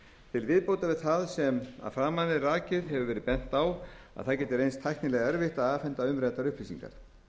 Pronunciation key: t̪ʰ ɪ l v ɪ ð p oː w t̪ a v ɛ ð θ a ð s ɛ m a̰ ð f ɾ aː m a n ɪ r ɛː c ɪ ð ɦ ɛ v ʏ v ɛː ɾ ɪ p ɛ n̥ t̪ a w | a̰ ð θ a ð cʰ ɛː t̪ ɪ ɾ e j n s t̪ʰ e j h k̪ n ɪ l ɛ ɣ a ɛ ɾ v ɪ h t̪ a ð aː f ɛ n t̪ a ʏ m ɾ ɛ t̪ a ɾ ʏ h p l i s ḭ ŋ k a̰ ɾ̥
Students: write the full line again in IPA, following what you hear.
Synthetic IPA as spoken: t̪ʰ ɪ l v ɪ ð p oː w t̪ a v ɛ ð θ a ð s ɛ m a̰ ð f ɾ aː m a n ɪ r aː c ɪ ð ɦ ɛ v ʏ v ɛː ɾ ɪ p ɛ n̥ t̪ a w | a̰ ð θ a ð c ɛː t̪ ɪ ɾ e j n s t̪ʰ a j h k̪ n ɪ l ɛ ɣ a ɛ ɾ v ɪ h t̪ a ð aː f ɛ n t̪ a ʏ m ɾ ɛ t̪ a ɾ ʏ h p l i s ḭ ŋ k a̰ ɾ̥